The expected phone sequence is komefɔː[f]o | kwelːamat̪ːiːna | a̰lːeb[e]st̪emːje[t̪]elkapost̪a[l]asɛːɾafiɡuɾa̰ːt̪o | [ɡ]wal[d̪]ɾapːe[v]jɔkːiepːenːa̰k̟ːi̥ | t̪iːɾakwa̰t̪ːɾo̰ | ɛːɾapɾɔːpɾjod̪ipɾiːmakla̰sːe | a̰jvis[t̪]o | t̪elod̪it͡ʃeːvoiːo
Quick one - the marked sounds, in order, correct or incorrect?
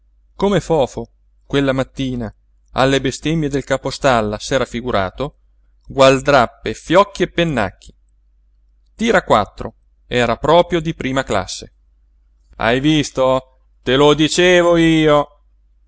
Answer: correct, correct, incorrect, incorrect, correct, correct, incorrect, correct

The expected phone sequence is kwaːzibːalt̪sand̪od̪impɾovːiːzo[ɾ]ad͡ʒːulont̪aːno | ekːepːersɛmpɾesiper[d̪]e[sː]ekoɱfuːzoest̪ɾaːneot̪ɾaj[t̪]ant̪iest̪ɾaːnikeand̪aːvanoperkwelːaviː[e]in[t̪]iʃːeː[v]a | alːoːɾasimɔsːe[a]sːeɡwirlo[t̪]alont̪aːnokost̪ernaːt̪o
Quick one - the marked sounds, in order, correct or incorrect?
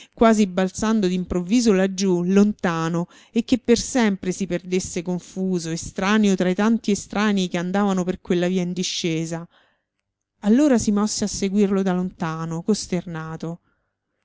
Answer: incorrect, correct, correct, correct, incorrect, incorrect, incorrect, correct, incorrect

